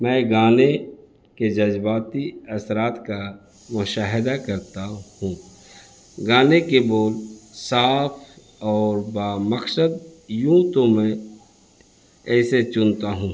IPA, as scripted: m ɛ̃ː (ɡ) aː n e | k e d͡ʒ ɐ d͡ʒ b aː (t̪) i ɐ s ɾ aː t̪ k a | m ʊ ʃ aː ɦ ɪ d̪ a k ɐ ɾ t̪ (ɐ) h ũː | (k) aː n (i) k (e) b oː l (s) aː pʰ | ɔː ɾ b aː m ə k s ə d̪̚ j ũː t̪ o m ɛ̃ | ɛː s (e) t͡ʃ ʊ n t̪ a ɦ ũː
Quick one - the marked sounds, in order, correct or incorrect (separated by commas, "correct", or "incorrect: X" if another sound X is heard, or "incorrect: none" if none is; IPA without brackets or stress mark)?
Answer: correct, correct, incorrect: a, incorrect: ɡ, incorrect: e, correct, correct, correct